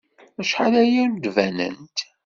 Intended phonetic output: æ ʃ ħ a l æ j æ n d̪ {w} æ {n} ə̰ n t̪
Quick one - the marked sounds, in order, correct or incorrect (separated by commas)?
incorrect, correct